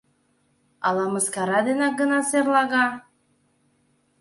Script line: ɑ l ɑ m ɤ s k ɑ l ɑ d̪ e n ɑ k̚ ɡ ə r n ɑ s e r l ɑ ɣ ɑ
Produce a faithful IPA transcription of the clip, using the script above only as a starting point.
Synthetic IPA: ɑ l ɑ m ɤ s k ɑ ɾ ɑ d̪ e n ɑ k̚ ɡ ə n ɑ s e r l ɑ ɣ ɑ